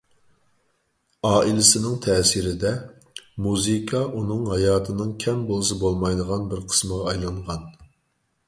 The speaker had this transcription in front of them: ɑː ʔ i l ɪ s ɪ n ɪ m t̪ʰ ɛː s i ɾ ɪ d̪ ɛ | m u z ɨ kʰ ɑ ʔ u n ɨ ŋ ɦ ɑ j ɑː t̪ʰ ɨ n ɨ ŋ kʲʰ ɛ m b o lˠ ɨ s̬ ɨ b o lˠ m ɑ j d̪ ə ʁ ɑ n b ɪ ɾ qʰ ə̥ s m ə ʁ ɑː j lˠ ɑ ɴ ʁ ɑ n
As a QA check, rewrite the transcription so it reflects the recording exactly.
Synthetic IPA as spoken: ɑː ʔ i l ɪ s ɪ n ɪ ŋ t̪ʰ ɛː s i ɾ ɪ d̪ ɛ | m u z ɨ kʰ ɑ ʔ u n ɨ ŋ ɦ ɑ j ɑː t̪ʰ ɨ n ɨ ŋ kʲʰ ɛ m b o lˠ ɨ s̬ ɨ b o lˠ m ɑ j d̪ ə ʁ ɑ n b ɪ ɾ qʰ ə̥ s m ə ʁ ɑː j lˠ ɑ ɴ ʁ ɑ n